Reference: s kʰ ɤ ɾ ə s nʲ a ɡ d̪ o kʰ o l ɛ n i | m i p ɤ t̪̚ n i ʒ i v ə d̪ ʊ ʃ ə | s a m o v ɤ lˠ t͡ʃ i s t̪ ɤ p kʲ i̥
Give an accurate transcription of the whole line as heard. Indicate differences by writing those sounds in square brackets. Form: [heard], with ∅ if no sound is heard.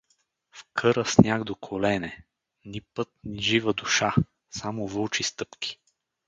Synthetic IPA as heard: [f] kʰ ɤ ɾ ə s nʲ a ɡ d̪ o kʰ o l ɛ n [ɛ] | [n] i p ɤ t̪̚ n i ʒ i v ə d̪ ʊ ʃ [a] | s a m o v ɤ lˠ t͡ʃ i s t̪ ɤ p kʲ i̥